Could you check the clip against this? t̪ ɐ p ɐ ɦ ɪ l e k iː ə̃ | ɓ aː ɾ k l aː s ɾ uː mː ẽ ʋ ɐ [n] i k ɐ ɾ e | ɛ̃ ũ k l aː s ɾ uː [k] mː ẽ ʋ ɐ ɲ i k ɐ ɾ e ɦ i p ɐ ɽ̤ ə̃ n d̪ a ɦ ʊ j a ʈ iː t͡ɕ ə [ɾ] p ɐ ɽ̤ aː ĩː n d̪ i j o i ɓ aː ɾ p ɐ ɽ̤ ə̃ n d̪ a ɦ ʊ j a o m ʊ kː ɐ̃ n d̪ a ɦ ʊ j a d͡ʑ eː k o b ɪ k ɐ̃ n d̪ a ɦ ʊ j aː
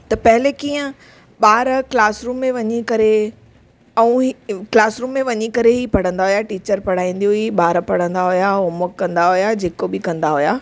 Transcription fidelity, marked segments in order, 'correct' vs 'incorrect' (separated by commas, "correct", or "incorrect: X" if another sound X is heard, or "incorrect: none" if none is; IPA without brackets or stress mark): incorrect: ɲ, incorrect: none, correct